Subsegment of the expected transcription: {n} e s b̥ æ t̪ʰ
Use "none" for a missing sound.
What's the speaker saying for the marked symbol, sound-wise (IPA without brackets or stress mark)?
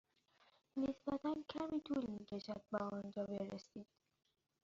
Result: n